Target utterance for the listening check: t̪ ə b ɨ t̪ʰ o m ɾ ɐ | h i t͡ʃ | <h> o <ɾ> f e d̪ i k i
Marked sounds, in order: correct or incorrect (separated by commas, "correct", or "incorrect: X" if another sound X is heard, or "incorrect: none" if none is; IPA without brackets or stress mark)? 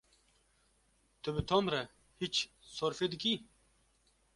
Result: incorrect: s, correct